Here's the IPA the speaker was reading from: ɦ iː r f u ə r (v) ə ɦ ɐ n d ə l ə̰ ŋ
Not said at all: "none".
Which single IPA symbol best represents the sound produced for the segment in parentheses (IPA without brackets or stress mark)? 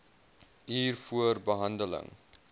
b